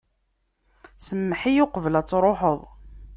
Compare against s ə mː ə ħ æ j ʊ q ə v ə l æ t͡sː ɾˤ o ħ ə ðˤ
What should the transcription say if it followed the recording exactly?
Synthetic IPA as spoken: s ə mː ə ħ i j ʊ q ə v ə l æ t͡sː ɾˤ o ħ ə ðˤ